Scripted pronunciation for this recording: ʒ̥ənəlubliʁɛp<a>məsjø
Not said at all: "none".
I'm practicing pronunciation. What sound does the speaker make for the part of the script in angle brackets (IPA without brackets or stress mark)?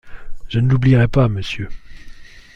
a